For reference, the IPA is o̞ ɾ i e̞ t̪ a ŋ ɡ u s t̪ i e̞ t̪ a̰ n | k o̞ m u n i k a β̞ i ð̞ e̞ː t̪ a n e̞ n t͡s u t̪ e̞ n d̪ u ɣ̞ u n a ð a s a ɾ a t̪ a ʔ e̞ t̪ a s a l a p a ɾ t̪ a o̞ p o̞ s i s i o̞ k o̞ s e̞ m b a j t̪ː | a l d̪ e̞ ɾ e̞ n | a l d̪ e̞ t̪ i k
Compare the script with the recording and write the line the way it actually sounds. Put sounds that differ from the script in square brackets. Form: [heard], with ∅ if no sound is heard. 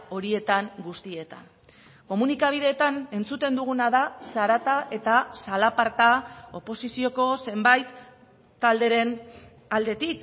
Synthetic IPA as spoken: o̞ ɾ i e̞ t̪ a ŋ ɡ u s t̪ i e̞ t̪ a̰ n | k o̞ m u n i k a β̞ i ð̞ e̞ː t̪ a n e̞ n t͡s u t̪ e̞ n d̪ u ɣ̞ u n a ð a s a ɾ a t̪ a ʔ e̞ t̪ a s a l a p a ɾ t̪ a o̞ p o̞ s i s i o̞ k o̞ s e̞ m b a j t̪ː | a l d̪ e̞ ɾ e̞ n | a l d̪ e̞ t̪ i k